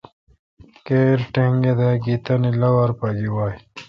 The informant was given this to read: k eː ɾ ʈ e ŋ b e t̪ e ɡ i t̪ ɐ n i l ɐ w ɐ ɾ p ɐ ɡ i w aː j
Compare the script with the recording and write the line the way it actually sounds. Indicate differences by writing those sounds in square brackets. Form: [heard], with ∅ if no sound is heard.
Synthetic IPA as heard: k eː ɾ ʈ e ŋ [ɡ] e [d̪] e ɡ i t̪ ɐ n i l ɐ w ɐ ɾ p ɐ ɡ i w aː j

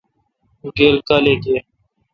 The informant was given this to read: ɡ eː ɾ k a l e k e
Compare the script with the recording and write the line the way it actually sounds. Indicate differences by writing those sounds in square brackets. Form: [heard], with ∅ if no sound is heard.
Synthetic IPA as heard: ɡ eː [l] k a l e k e

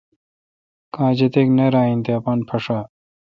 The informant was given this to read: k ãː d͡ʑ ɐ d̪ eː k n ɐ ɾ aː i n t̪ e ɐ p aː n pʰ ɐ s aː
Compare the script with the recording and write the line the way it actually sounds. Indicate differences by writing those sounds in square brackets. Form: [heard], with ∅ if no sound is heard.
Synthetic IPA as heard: k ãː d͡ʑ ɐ [t̪] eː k n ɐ ɾ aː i n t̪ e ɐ p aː n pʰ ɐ [ʂ] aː

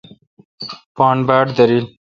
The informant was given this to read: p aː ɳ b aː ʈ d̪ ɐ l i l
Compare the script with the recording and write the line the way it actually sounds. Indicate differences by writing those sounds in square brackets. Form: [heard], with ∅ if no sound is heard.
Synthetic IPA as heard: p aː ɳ b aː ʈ d̪ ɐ [ɾ] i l

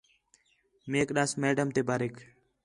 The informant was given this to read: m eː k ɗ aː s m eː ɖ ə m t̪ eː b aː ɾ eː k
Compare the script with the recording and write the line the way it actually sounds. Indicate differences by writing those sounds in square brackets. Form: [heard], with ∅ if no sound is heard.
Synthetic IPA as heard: m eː k ɗ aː s m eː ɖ ə m t̪ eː b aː ɾ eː k

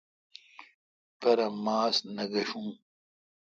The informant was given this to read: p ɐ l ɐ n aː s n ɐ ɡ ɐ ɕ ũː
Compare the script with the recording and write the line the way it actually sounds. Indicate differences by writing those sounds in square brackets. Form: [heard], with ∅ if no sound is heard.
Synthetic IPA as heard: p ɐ [ɾ] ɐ [m] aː s n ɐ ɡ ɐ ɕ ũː

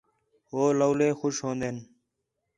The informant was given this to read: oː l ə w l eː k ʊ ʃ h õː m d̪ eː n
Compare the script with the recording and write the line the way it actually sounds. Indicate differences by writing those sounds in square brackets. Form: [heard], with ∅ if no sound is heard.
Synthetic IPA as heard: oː l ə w l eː [x] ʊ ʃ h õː [n] d̪ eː n

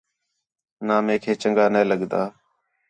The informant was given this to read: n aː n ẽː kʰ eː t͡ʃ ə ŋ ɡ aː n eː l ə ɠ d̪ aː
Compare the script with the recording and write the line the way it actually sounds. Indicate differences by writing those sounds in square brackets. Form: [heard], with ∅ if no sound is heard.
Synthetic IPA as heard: n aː [m] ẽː kʰ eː t͡ʃ ə ŋ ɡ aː n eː l ə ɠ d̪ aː

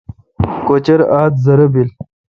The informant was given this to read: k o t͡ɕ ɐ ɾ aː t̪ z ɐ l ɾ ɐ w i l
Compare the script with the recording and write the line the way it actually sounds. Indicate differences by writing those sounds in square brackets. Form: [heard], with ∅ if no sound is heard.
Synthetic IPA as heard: k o t͡ɕ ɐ ɾ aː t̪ z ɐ [∅] ɾ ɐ [b] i l

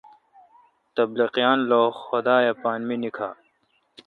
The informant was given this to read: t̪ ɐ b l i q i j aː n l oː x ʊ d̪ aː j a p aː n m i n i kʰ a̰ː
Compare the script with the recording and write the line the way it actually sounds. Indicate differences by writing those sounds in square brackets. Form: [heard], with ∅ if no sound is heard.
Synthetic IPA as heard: t̪ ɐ b l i q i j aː n l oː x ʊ d̪ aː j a p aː n m i n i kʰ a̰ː

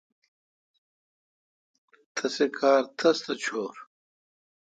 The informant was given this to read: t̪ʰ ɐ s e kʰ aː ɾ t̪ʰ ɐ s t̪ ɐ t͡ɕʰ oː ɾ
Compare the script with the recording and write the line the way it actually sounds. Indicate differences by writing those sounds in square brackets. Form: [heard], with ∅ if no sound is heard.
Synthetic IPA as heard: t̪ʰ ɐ s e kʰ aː ɾ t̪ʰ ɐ s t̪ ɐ t͡ɕʰ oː ɾ

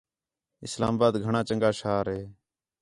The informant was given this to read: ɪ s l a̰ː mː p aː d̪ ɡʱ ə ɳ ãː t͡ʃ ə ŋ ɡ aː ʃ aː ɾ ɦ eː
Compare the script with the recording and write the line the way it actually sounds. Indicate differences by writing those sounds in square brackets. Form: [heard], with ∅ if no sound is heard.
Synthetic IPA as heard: ɪ s l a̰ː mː [b] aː d̪ ɡʱ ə ɳ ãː t͡ʃ ə ŋ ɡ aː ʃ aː ɾ ɦ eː

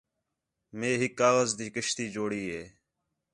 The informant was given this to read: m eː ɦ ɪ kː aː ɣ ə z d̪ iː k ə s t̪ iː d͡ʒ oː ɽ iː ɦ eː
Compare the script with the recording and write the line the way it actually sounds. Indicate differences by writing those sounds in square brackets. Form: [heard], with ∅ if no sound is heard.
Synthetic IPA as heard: m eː ɦ ɪ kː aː ɣ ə z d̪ iː k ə [ʃ] t̪ iː d͡ʒ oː ɽ iː ɦ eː

